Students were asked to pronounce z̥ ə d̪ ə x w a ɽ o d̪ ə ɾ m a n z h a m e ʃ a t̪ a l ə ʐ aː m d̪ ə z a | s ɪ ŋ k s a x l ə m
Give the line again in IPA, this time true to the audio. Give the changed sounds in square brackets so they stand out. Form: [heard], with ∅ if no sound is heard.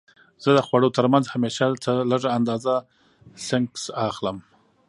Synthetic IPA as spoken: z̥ ə d̪ ə x w a ɽ o [t̪] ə ɾ m a n z h a m e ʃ a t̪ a l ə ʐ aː [n] d̪ [ɑ] z a | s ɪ ŋ k s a x l ə m